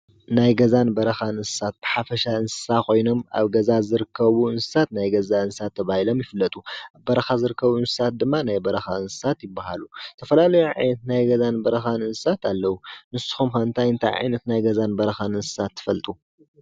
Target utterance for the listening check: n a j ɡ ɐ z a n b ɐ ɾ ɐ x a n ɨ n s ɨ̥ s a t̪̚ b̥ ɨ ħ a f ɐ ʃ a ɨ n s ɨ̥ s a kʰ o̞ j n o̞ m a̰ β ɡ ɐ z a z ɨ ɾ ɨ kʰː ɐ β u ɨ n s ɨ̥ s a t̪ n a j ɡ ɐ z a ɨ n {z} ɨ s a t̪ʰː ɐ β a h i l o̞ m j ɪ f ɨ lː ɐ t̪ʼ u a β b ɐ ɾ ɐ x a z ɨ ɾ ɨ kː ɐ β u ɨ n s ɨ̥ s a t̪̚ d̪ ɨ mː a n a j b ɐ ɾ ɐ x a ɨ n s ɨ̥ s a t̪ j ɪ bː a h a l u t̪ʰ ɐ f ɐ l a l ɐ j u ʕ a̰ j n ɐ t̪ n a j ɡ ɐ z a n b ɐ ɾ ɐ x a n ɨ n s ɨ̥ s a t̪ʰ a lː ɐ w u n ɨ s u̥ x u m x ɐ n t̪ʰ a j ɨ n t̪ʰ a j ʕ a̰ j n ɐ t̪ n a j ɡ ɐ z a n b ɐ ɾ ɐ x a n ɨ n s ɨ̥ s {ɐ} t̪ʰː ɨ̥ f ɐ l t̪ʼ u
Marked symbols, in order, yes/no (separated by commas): no, no